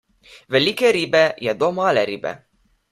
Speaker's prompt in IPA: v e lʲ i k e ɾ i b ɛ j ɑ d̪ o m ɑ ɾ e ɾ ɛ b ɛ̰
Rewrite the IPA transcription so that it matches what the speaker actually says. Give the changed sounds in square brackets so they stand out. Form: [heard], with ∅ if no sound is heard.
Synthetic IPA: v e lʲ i k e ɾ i b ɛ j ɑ d̪ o m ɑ [l] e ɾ [i] b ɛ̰